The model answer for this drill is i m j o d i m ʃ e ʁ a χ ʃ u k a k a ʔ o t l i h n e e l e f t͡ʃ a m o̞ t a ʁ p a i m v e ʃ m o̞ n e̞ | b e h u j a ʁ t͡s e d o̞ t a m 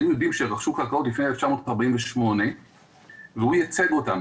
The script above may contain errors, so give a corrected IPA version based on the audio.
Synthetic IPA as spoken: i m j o d i m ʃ e ʁ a χ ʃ u k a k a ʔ o t l i f n e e l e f t͡ʃ a m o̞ t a ʁ b a i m v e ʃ m o̞ n e̞ | v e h u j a t͡s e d o̞ t a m